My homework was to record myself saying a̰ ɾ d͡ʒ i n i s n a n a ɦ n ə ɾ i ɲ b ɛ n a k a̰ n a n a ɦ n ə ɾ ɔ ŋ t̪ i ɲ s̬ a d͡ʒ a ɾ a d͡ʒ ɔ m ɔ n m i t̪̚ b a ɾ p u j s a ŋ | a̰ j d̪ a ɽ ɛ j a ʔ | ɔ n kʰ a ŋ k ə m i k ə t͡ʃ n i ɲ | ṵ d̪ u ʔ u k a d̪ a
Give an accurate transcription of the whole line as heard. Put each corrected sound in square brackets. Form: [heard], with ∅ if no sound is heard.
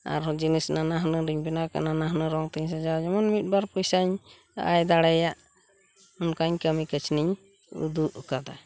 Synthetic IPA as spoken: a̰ ɾ d͡ʒ i n i s n a n a ɦ n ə ɾ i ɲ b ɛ n a k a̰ n a n a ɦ n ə ɾ ɔ ŋ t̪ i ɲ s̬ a d͡ʒ a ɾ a d͡ʒ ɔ m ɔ n m i t̪̚ b a ɾ p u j s a [ɲ] | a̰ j d̪ a ɽ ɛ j a ʔ | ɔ n [k] a [ɲ] k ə m i k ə t͡ʃ n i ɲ | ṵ d̪ u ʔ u k a d̪ a

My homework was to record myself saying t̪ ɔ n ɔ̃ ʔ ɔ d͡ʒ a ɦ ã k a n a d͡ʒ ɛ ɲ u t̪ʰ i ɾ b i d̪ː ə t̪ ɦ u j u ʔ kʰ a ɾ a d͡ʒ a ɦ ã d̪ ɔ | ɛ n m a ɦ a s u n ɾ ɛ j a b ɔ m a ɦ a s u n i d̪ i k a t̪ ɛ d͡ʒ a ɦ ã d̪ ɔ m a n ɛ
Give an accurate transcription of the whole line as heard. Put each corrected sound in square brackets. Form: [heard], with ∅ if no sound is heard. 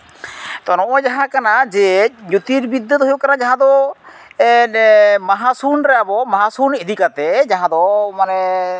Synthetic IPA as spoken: t̪ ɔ n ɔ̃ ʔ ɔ d͡ʒ a ɦ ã k a n a d͡ʒ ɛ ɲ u [t̪] i ɾ b i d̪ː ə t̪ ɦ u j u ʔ [k] a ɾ a d͡ʒ a ɦ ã d̪ ɔ | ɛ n m a ɦ a s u n ɾ ɛ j a b ɔ m a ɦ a s u n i d̪ i k a t̪ ɛ d͡ʒ a ɦ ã d̪ ɔ m a n ɛ

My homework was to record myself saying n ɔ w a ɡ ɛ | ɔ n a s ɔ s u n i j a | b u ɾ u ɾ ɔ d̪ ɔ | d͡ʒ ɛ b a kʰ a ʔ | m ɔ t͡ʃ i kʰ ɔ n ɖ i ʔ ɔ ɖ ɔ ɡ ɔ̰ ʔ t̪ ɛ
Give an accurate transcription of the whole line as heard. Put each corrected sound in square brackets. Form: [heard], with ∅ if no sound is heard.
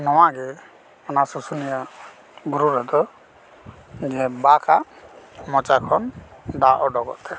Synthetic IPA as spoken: n ɔ w a ɡ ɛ | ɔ n a s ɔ s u n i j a | b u ɾ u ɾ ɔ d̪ ɔ | d͡ʒ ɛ b a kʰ a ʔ | m ɔ t͡ʃ [a] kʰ ɔ n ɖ [a] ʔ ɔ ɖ ɔ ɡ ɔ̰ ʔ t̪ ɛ

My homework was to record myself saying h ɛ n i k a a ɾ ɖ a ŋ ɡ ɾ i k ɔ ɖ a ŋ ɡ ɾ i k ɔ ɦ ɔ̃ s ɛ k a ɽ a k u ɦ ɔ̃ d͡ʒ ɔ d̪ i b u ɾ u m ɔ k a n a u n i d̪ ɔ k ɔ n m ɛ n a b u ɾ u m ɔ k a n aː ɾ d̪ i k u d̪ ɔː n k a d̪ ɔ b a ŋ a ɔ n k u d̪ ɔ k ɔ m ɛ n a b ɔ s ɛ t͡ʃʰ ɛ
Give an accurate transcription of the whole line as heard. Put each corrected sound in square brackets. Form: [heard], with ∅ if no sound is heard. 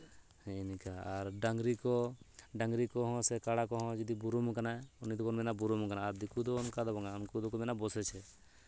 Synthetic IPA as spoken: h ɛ n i k a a ɾ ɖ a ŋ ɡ ɾ i k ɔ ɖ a ŋ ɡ ɾ i k ɔ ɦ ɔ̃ s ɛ k a ɽ a k [ɔ] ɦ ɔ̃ d͡ʒ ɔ d̪ i b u ɾ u m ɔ k a n a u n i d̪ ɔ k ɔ n m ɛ n a b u ɾ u m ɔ k a n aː ɾ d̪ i k u d̪ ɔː n k a d̪ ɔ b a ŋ a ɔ n k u d̪ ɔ k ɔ m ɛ n a b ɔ s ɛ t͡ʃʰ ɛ

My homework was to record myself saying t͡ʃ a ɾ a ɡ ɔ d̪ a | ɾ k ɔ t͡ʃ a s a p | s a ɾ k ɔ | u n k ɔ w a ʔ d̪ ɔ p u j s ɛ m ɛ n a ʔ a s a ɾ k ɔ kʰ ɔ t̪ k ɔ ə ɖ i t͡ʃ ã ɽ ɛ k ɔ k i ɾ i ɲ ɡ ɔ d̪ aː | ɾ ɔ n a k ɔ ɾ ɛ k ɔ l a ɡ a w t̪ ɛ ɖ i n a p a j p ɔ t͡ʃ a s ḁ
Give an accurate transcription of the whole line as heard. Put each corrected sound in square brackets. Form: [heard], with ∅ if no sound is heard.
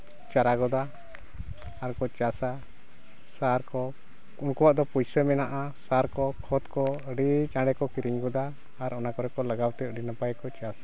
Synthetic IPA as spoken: t͡ʃ a ɾ a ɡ ɔ d̪ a | ɾ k ɔ t͡ʃ a s a [∅] | s a ɾ k ɔ | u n k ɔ w a ʔ d̪ ɔ p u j s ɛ m ɛ n a ʔ a s a ɾ k ɔ kʰ ɔ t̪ k ɔ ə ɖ i t͡ʃ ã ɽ ɛ k ɔ k i ɾ i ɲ ɡ ɔ d̪ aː | ɾ ɔ n a k ɔ ɾ ɛ k ɔ l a ɡ a w t̪ ɛ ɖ i n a p a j [k] ɔ t͡ʃ a s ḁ

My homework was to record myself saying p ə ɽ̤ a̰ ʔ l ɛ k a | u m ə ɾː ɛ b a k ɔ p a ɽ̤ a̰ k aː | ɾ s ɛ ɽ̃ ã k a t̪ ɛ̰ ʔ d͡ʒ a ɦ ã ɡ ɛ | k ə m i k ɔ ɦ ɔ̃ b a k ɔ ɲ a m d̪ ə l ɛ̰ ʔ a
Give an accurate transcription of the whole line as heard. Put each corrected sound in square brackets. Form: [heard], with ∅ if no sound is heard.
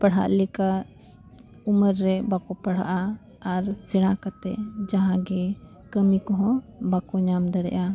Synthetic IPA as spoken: p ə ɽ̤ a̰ ʔ l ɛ k a | u m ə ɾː ɛ b a k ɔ p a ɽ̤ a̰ [ʔ] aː | ɾ s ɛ ɽ̃ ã k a t̪ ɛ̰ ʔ d͡ʒ a ɦ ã ɡ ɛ | k ə m i k ɔ ɦ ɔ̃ b a k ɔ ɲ a m d̪ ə [ɽ] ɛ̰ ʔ a

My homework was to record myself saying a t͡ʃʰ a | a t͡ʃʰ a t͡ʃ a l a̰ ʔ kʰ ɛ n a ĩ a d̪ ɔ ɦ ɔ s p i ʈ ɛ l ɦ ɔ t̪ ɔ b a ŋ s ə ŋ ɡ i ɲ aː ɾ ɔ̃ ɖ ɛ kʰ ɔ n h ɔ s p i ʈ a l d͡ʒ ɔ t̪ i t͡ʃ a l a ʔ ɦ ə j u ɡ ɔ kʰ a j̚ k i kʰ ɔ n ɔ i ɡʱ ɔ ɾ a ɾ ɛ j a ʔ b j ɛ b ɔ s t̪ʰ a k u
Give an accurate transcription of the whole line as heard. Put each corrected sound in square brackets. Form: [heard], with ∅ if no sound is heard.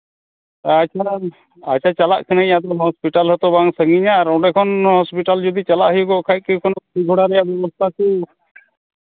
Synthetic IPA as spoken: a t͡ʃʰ a | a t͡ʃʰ a t͡ʃ a l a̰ ʔ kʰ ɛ n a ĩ a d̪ ɔ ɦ ɔ s p i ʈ [a] l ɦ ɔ t̪ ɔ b a ŋ s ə ŋ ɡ i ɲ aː ɾ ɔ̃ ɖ ɛ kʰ ɔ n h ɔ s p i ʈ a l d͡ʒ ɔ [d̪] i t͡ʃ a l a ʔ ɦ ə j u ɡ ɔ kʰ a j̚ k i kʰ ɔ n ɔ i ɡʱ ɔ [ɽ] a ɾ ɛ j a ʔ b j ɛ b ɔ s t̪ʰ a k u

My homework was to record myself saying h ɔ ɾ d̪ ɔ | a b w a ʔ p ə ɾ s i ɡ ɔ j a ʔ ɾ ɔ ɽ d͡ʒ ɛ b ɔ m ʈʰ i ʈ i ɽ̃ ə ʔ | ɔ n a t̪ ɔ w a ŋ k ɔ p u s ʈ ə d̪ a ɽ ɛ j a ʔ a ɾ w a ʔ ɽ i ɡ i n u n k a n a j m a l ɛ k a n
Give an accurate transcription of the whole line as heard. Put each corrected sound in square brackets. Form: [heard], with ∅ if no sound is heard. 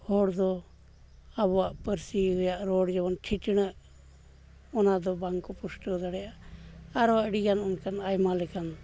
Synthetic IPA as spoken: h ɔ [ɽ] d̪ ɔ | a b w a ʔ p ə ɾ s i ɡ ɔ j a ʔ ɾ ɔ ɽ d͡ʒ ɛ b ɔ [n] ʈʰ i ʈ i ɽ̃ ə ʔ | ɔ n a [d̪] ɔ [b] a ŋ k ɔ p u s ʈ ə d̪ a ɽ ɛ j a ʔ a ɾ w a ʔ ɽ i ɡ [a] n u n k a n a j m a l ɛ k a n

